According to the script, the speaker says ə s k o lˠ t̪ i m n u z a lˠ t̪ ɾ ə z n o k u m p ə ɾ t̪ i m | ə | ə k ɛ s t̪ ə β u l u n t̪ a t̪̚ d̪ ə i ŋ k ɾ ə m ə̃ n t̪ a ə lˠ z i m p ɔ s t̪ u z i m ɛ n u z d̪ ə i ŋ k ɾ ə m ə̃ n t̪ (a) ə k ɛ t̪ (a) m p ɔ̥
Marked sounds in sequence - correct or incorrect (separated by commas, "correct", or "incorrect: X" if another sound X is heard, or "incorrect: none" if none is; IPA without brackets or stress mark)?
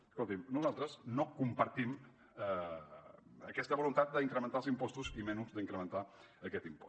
correct, incorrect: i